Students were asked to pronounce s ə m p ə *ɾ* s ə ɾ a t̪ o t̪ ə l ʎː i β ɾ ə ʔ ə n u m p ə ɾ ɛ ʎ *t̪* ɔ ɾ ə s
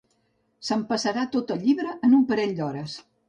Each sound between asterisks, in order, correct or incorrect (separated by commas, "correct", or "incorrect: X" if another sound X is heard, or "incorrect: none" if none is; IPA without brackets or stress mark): incorrect: none, incorrect: d̪